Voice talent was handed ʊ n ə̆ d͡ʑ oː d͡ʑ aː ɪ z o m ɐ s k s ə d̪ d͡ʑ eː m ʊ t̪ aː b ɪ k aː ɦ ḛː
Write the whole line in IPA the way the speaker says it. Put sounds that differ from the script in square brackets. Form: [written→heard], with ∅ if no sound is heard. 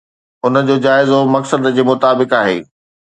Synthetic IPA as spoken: ʊ n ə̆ d͡ʑ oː d͡ʑ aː ɪ z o m ɐ [s→∅] k s ə d̪ d͡ʑ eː m ʊ t̪ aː b ɪ k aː ɦ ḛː